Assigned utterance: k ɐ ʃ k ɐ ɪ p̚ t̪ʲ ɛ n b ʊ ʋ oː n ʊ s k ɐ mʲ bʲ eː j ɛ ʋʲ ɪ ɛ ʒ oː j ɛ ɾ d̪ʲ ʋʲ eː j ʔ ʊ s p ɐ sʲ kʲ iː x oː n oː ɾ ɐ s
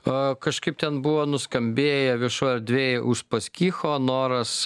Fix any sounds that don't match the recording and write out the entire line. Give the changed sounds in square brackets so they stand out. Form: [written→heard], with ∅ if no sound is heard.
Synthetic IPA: k ɐ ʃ k ɐ ɪ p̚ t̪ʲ ɛ n b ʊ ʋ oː n ʊ s k ɐ mʲ bʲ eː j ɛ ʋʲ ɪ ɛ [ʒ→ʃ] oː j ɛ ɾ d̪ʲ ʋʲ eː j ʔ ʊ [s→ʃ] p ɐ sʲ kʲ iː x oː n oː ɾ ɐ s